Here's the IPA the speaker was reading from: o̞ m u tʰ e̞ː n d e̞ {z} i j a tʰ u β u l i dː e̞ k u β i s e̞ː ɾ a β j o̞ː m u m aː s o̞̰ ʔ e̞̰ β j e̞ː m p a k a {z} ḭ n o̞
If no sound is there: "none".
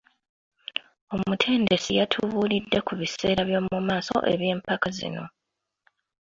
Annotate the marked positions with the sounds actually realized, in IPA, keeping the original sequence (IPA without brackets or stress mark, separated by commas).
s, z